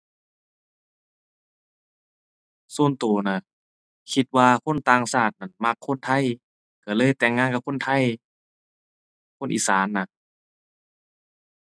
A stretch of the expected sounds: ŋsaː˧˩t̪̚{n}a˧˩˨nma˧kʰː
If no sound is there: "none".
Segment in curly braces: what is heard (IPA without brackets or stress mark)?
n